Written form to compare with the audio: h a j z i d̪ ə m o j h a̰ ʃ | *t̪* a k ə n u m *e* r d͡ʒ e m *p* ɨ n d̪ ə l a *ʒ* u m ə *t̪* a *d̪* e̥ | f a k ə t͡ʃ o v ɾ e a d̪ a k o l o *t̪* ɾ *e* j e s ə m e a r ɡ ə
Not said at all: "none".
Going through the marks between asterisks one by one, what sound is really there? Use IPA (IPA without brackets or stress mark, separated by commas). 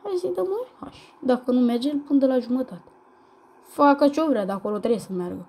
d̪, e, p, ʒ, t̪, t̪, t̪, e